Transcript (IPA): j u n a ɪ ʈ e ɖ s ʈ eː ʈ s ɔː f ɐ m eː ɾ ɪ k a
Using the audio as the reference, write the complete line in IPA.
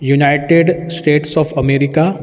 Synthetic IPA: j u n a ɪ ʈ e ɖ s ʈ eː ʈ s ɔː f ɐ m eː ɾ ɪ k a